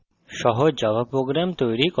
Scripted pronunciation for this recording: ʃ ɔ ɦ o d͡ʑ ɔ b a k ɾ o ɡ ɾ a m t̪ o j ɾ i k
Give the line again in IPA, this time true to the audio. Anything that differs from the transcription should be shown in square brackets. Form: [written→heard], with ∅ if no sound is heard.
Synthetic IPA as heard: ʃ ɔ ɦ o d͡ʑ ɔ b a [k→p] ɾ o ɡ ɾ a m t̪ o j ɾ i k